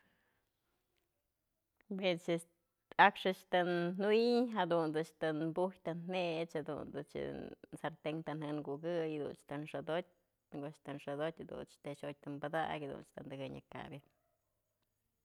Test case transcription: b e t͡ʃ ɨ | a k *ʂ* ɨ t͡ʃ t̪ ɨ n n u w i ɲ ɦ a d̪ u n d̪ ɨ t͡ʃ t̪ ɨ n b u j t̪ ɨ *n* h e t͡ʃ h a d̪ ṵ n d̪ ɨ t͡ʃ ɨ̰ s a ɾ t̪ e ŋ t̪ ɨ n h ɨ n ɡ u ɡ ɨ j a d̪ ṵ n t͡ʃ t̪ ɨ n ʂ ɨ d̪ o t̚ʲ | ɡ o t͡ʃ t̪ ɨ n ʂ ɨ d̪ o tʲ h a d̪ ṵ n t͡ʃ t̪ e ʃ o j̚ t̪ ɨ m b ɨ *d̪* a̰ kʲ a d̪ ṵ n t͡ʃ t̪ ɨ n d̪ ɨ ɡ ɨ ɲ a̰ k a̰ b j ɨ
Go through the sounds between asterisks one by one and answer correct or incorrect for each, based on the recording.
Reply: correct, correct, correct

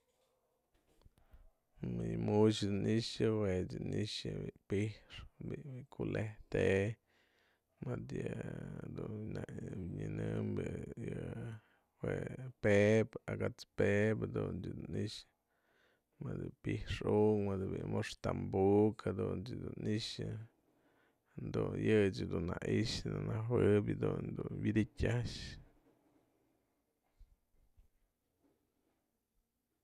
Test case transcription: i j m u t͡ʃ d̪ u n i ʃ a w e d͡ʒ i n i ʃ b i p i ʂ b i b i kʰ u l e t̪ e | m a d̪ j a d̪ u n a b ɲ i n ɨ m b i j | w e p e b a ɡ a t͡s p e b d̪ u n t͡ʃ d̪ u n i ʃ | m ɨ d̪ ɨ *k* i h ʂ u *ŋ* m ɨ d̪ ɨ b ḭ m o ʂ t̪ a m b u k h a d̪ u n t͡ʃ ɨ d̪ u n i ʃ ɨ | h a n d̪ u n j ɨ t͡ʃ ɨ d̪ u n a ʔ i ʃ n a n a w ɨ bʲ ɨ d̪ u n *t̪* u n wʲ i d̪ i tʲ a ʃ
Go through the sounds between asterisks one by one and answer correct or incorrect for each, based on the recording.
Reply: incorrect: p, correct, incorrect: d̪

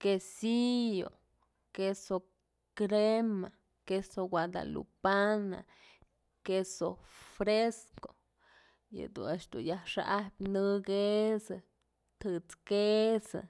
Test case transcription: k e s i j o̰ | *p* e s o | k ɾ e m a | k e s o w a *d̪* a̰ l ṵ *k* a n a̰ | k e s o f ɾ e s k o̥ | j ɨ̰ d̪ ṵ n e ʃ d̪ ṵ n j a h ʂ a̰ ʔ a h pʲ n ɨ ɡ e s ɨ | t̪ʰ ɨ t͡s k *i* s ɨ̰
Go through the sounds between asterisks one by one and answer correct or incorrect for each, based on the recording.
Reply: incorrect: k, correct, incorrect: p, incorrect: e

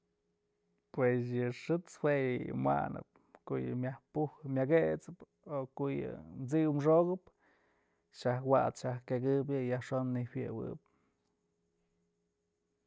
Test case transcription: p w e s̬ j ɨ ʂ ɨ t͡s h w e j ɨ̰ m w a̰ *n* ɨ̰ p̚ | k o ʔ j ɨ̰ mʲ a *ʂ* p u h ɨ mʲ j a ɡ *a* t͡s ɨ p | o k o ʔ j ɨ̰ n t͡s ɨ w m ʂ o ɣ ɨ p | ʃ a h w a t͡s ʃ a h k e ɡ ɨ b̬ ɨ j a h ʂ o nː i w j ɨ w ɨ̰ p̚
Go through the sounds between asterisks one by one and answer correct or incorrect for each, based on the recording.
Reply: correct, incorrect: h, incorrect: e

